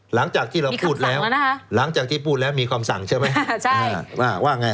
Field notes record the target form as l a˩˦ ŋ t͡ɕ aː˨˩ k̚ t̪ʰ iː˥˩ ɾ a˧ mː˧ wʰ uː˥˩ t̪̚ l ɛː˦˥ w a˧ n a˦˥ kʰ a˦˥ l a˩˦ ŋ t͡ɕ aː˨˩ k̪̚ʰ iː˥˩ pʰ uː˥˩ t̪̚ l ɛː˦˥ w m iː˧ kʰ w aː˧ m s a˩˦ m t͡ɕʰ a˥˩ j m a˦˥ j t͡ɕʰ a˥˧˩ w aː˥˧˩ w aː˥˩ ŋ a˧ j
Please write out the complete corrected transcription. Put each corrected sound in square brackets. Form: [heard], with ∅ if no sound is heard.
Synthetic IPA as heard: l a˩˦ ŋ t͡ɕ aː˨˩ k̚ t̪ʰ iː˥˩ ɾ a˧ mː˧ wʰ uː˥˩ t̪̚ l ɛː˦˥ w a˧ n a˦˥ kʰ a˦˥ l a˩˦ ŋ t͡ɕ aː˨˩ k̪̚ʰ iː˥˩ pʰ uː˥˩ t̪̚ l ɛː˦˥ w m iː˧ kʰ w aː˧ m s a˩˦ [ŋ] t͡ɕʰ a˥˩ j m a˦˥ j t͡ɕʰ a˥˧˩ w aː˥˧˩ w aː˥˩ ŋ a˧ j